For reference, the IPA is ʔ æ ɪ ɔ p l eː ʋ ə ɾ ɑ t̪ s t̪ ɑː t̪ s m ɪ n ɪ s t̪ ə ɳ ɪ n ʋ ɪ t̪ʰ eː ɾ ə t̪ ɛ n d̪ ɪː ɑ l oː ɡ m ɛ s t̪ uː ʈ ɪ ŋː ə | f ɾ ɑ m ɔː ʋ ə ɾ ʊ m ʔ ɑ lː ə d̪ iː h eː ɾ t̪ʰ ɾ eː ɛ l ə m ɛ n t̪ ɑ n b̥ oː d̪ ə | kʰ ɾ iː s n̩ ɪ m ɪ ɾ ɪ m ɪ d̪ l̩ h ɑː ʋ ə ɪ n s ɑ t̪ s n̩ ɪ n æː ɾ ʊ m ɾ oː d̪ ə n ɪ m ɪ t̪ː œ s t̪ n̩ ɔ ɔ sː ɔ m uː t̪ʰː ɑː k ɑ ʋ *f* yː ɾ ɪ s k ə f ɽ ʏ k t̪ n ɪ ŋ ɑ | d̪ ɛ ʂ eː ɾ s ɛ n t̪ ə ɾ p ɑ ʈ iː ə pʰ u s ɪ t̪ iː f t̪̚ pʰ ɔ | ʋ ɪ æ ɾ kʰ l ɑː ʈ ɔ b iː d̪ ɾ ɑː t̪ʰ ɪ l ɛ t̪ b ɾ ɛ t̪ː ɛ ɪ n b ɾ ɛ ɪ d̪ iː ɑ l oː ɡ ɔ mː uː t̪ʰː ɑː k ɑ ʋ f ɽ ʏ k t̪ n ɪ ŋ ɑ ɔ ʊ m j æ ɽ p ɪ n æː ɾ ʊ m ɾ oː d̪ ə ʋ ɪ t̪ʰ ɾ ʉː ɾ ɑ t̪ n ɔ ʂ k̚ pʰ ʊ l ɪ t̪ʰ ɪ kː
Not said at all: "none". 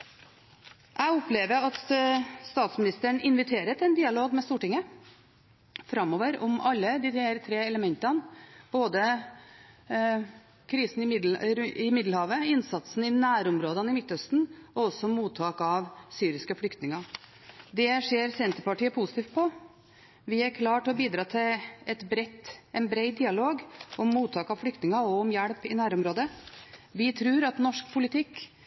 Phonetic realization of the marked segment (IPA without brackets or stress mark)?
s